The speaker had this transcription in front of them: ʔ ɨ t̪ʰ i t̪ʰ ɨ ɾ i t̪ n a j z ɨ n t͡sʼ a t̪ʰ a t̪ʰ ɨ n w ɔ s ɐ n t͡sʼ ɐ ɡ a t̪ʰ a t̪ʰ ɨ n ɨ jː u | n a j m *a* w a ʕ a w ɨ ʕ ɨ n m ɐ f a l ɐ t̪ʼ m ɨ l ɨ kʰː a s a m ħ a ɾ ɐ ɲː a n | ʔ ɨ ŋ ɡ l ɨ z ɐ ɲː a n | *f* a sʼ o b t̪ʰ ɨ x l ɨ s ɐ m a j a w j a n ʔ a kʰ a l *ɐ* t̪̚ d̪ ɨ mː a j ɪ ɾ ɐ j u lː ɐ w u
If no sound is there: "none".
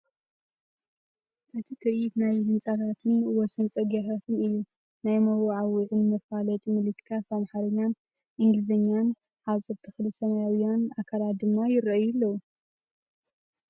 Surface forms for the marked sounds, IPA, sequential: ɐ, ħ, a

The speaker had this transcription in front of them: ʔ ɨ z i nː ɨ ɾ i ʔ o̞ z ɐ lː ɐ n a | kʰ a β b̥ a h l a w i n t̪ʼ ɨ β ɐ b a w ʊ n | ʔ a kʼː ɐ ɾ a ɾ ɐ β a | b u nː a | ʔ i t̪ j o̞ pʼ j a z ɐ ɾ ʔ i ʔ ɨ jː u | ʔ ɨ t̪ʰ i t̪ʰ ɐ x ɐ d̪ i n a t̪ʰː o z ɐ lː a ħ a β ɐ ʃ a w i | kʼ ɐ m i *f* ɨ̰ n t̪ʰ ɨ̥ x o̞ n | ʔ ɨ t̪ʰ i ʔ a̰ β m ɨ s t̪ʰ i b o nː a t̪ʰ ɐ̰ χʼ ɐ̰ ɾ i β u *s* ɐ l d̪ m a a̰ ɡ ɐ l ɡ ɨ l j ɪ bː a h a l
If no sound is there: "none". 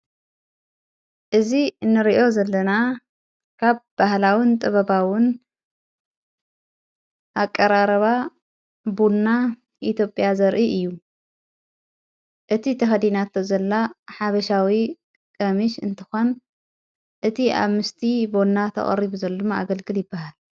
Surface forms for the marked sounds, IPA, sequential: ʃ, z

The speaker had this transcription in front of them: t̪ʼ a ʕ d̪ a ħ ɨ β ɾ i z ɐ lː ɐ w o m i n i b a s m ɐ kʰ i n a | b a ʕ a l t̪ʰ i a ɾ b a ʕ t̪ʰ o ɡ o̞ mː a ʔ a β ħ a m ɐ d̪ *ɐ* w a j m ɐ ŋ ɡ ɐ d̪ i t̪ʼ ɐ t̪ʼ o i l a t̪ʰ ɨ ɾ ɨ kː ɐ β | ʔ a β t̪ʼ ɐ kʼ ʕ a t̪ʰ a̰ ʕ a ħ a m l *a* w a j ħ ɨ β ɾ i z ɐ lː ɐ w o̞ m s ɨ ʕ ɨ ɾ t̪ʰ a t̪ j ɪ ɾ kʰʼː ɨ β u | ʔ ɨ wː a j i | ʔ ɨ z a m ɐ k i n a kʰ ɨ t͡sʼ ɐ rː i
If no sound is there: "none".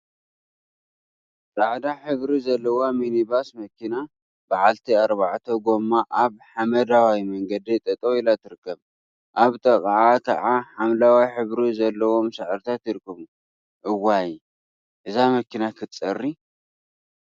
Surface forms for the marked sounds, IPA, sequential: a, a

